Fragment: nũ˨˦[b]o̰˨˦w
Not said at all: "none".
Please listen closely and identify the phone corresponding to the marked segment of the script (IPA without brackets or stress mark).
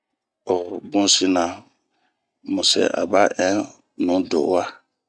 d